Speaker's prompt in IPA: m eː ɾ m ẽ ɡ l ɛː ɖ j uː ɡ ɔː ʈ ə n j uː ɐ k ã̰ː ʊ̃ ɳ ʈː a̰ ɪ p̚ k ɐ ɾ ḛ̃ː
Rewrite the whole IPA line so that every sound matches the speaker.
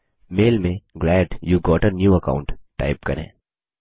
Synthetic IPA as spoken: m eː l m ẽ ɡ l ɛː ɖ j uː ɡ ɔː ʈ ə n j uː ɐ k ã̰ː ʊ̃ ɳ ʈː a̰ ɪ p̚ k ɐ ɾ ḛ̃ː